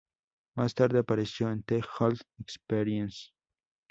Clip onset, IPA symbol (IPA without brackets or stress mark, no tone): m